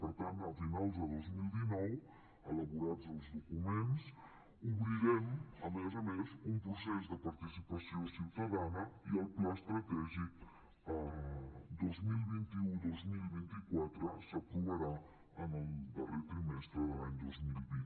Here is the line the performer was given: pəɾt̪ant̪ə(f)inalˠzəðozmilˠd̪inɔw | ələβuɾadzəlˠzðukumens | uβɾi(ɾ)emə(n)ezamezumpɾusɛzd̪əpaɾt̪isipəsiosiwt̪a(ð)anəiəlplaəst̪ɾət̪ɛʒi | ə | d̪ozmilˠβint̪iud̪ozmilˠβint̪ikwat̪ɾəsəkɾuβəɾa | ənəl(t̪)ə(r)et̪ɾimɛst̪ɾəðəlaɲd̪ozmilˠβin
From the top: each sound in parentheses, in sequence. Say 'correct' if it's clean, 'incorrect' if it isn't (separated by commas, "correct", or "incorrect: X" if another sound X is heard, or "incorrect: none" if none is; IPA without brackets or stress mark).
correct, correct, incorrect: m, correct, incorrect: d̪, correct